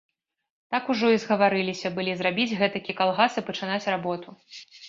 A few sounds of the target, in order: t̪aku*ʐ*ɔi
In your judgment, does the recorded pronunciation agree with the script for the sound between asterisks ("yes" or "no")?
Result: yes